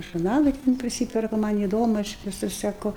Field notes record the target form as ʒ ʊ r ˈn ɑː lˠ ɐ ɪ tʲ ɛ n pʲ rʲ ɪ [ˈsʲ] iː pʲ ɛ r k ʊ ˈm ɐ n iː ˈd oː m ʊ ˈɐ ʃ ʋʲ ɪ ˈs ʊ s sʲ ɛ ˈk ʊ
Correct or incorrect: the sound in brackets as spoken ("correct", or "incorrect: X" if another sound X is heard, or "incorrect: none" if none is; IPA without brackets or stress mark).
correct